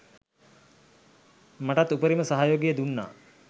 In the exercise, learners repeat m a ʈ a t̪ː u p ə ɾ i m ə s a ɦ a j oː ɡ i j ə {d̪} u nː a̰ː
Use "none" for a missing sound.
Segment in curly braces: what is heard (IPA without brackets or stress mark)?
d̪